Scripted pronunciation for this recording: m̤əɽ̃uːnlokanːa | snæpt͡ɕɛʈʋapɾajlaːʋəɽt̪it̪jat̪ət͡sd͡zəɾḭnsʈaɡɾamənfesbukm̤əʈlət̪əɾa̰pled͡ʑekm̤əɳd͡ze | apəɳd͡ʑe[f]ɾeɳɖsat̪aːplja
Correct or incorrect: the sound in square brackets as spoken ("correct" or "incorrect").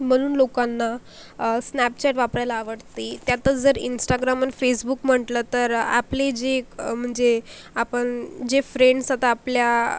correct